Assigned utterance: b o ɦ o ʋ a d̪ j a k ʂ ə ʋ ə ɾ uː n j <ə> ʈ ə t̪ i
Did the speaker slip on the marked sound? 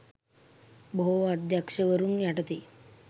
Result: yes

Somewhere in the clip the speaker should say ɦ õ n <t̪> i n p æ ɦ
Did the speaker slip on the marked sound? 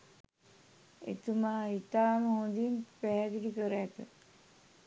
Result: yes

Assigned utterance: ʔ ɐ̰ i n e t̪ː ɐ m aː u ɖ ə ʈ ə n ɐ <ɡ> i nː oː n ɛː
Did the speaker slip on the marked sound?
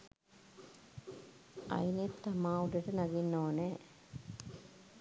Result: no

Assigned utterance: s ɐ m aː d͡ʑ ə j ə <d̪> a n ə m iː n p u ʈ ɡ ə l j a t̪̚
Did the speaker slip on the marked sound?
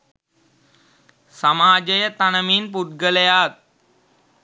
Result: yes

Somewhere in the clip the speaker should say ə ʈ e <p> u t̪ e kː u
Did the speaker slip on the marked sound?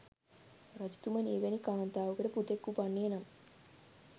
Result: no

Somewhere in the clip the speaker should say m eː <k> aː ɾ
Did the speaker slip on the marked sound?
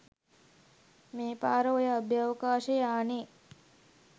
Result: yes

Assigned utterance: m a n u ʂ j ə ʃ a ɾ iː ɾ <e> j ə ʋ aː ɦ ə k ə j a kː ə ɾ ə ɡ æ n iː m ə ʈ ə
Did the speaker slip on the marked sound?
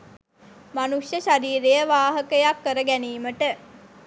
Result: no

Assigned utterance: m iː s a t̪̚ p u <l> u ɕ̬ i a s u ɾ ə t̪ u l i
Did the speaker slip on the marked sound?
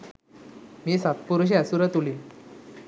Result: yes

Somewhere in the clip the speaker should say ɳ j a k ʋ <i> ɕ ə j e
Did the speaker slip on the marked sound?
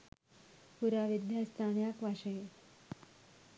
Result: yes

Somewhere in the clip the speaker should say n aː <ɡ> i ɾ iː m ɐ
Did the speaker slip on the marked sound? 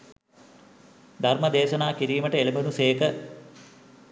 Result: yes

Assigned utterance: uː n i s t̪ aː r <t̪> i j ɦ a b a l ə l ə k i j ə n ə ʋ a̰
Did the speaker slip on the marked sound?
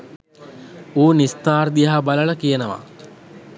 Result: yes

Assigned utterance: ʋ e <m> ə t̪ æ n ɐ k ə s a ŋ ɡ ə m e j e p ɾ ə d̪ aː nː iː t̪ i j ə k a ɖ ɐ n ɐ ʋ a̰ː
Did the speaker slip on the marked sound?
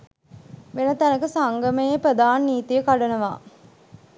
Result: yes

